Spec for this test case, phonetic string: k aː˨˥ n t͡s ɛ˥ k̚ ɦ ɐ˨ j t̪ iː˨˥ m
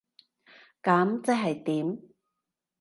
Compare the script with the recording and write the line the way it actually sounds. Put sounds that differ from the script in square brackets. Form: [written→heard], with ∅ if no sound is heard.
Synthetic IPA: k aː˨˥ [n→m] t͡s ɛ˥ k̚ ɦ ɐ˨ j t̪ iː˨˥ m